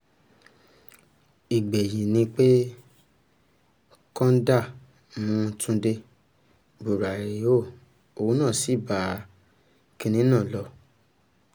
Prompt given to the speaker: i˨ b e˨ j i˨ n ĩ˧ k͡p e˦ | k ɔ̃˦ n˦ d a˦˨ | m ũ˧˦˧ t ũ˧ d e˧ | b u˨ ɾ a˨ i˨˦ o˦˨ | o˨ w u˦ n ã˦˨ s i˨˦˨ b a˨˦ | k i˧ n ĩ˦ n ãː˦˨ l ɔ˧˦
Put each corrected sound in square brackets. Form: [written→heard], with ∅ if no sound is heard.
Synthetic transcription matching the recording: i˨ [b→ɡ͡b] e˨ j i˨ n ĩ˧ k͡p e˦ | k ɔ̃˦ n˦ d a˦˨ | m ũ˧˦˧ t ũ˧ d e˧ | b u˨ ɾ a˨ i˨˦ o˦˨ | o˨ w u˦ n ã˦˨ s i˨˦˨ b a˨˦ | k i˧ n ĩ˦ n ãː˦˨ l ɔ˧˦

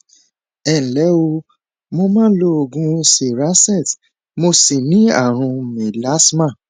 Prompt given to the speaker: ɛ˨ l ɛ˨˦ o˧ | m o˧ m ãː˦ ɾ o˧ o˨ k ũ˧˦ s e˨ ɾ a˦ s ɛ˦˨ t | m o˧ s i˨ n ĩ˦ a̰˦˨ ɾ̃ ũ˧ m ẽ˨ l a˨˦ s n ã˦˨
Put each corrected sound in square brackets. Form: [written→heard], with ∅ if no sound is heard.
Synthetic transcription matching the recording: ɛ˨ l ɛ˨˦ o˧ | m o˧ m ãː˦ [ɾ→l] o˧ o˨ [k→ɡ] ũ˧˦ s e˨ ɾ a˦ s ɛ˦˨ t | m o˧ s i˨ n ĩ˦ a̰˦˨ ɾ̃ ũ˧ m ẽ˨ l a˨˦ s [n→m] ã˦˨

